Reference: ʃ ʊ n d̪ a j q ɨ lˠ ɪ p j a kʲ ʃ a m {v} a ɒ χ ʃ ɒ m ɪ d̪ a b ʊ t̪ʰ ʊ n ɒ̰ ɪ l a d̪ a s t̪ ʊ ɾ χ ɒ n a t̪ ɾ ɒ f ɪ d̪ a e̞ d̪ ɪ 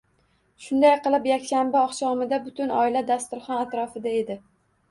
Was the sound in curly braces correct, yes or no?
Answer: no